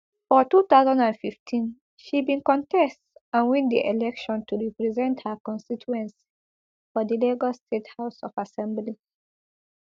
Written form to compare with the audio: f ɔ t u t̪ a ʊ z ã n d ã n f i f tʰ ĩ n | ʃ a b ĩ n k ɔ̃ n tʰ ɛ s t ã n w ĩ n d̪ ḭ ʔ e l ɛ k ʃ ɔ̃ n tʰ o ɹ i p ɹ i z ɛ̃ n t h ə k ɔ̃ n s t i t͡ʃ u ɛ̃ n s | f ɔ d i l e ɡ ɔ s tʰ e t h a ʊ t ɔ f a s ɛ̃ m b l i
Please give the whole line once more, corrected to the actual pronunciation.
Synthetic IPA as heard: f ɔ t u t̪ a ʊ z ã n d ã n f i f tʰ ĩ n | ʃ i b ĩ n k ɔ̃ n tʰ ɛ s t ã n w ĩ n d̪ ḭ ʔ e l ɛ k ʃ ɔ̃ n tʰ u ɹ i p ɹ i z ɛ̃ n t h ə k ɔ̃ n s t i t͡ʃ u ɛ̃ n s | f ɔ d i l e ɡ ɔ s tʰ e t h a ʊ s ɔ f a s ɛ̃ m b l i